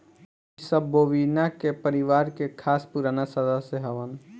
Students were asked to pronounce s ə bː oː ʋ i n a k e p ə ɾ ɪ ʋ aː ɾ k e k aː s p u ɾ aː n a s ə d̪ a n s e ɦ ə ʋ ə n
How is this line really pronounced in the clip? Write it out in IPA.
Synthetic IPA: s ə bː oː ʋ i n a k e p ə ɾ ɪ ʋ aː ɾ k e kʰ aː s p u ɾ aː n a s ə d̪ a s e ɦ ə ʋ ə n